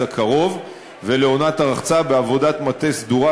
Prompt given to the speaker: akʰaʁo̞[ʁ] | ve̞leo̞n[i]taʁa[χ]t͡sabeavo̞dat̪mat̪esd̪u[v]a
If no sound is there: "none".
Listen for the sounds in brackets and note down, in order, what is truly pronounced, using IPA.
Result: v, a, χ, ʁ

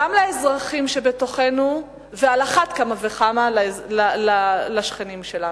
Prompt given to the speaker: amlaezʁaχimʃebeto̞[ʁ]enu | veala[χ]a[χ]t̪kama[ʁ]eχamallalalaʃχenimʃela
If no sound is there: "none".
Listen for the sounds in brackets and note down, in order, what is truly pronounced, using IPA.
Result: χ, χ, none, v

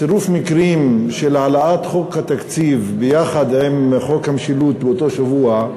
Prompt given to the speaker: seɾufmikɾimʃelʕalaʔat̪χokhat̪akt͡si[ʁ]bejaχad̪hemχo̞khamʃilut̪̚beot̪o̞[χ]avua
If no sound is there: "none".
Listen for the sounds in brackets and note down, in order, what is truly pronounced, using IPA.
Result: v, ʃ

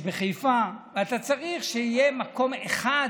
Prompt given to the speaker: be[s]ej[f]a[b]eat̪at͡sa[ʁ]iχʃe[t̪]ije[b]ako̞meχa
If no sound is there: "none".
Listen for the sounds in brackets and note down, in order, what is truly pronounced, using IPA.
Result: χ, f, v, ʁ, none, m

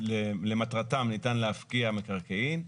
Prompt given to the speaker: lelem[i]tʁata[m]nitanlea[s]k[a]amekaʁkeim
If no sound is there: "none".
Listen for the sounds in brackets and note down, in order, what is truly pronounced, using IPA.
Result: a, m, f, i

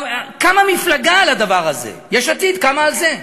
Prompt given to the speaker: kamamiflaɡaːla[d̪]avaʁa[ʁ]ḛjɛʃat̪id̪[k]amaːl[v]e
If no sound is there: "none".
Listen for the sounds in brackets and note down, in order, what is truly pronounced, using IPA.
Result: d̪, z, k, z

